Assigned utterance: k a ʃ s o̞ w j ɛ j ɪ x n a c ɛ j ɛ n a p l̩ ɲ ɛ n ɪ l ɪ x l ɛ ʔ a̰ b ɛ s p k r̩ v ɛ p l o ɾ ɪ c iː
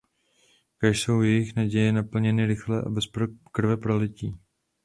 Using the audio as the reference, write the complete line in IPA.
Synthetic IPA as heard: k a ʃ s o̞ w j ɛ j ɪ x n a ɟ ɛ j ɛ n a p l̩ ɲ ɛ n ɪ ɾ ɪ x l ɛ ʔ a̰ b ɛ s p k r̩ v ɛ p ɾ o l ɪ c iː